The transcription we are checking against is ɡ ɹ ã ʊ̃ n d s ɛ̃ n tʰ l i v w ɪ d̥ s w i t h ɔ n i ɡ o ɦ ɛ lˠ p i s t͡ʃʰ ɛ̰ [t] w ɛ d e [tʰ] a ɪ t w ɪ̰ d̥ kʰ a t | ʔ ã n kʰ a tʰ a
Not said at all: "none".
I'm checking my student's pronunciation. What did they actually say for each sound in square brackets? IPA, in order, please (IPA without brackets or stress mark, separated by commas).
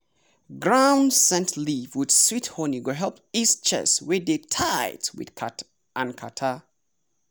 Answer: s, tʰ